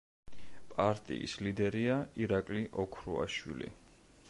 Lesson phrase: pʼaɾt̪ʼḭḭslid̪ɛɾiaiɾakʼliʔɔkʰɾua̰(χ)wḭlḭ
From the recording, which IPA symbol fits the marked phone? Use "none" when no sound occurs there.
ʃ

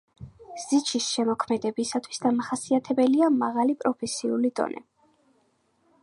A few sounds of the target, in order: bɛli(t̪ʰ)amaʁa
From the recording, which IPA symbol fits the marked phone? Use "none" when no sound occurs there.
none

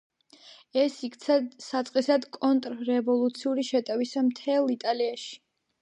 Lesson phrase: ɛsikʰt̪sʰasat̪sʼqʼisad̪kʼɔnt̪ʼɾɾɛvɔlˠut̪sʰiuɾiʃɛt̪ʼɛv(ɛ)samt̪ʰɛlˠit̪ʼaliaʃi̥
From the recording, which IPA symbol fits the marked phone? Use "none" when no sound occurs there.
i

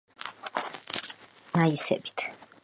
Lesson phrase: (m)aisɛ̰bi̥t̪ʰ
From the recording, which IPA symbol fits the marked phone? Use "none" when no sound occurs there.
n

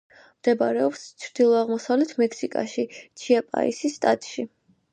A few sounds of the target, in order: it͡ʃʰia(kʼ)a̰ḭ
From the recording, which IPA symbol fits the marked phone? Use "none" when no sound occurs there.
pʼ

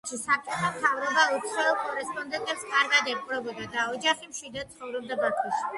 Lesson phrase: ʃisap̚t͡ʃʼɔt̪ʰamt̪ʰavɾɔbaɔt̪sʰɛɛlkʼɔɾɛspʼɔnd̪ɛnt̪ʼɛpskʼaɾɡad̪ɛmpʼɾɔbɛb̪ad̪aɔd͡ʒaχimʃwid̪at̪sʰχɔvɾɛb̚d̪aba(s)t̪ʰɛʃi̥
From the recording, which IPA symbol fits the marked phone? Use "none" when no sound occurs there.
none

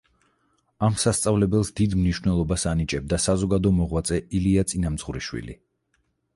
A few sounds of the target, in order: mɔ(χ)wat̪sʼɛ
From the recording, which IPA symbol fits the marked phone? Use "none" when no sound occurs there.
ʁ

